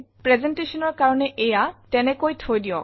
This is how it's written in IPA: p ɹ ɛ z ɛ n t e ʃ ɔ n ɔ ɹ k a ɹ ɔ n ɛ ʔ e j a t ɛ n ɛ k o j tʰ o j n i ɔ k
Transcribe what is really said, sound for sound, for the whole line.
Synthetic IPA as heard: p ɹ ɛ z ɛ n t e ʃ ɔ n ɔ ɹ k a ɹ ɔ n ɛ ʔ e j a t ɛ n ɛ k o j tʰ o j d i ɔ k